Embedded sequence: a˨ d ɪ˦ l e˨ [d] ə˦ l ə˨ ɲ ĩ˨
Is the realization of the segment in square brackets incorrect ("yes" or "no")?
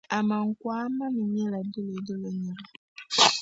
no